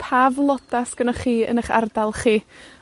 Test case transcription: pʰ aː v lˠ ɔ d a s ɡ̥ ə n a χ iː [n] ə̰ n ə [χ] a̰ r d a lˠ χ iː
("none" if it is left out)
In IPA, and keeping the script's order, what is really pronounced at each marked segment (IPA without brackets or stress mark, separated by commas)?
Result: none, χ